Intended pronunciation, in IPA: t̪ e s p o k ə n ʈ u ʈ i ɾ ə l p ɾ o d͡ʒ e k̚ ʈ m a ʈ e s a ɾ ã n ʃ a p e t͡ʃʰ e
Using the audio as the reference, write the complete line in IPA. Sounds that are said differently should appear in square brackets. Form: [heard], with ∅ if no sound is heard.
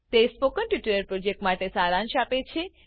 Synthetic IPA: t̪ e s p o k ə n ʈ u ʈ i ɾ ə [ɾ] p ɾ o d͡ʒ e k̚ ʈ m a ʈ e s a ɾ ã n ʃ a p e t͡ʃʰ e